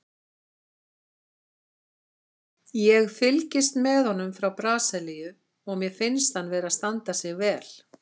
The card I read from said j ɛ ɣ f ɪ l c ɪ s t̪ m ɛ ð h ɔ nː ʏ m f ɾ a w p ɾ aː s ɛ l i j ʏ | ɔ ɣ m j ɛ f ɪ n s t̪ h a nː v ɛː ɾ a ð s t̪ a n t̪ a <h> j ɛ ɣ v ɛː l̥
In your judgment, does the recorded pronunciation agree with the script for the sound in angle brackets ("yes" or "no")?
no